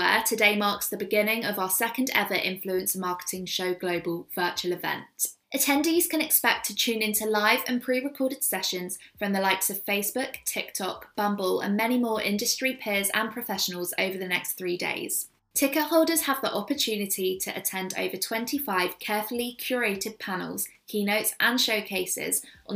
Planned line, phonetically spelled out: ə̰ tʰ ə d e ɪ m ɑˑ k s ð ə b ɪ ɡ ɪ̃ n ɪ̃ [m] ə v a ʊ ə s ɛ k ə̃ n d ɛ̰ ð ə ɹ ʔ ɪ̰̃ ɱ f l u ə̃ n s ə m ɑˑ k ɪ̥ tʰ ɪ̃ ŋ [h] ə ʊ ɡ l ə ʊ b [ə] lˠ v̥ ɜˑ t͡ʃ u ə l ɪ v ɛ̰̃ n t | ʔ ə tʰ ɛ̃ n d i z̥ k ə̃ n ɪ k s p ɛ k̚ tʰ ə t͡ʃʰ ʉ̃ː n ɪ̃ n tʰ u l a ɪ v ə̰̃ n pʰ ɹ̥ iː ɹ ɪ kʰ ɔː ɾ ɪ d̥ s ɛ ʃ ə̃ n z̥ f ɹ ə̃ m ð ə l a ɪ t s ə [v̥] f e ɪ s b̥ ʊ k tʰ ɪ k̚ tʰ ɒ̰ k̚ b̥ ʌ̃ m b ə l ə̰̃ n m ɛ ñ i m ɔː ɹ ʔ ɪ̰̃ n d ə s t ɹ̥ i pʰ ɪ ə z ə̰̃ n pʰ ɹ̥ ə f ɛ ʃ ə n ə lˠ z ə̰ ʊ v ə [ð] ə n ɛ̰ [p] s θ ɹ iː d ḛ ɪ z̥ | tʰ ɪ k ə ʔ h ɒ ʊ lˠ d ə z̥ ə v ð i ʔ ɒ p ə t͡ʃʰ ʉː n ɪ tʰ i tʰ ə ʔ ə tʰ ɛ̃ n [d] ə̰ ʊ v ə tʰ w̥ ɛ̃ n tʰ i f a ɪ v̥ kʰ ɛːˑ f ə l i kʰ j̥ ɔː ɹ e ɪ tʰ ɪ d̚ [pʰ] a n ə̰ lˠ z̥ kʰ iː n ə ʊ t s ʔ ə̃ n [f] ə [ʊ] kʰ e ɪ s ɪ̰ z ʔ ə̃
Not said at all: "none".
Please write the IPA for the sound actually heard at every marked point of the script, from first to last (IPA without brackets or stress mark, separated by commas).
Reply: ŋ, ʃ, ə, v̥, ð, k, d, pʰ, ʃ, ʊ